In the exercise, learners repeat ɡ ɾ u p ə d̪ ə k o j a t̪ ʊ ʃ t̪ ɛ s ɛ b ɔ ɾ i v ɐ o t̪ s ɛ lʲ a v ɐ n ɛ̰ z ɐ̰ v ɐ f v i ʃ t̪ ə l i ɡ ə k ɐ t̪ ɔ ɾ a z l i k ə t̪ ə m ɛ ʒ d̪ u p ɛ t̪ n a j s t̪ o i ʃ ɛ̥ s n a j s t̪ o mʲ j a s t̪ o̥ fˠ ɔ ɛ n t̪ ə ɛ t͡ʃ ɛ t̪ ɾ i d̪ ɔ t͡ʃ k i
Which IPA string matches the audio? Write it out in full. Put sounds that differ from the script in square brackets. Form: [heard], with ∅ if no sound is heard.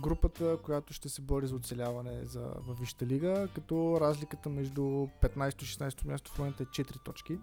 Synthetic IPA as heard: ɡ ɾ u p ə [t̪] ə k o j a t̪ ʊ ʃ t̪ ɛ s ɛ b ɔ ɾ i [z] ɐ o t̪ s ɛ lʲ a v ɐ n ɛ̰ z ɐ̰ v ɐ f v i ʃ t̪ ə l i ɡ ə k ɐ t̪ ɔ ɾ a z l i k ə t̪ ə m ɛ ʒ d̪ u p ɛ t̪ n a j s t̪ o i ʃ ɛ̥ s n a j s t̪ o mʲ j a s t̪ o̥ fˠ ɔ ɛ n t̪ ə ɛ t͡ʃ ɛ t̪ ɾ i [t̪] ɔ t͡ʃ k i